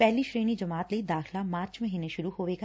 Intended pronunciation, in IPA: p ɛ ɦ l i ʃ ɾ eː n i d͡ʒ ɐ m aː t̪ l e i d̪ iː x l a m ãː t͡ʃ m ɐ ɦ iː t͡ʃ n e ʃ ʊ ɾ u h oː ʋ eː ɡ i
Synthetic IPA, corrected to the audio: p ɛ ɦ l i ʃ ɾ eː n i d͡ʒ ɐ m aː t̪ l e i d̪ aː x l a m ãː t͡ʃ m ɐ ɦ iː n e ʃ ʊ ɾ u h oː ʋ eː ɡ a